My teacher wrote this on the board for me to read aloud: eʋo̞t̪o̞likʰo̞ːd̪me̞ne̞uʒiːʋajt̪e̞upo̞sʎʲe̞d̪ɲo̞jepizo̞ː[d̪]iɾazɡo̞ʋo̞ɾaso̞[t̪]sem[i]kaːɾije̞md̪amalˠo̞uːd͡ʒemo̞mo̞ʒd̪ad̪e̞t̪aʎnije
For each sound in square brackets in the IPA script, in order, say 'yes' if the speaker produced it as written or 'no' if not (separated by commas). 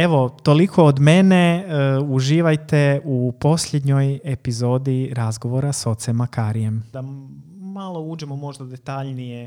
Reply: yes, yes, no